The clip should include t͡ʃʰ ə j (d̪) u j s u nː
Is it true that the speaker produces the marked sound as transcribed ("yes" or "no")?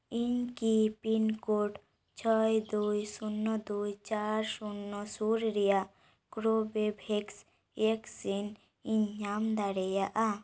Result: yes